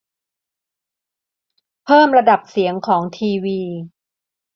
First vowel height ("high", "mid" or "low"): mid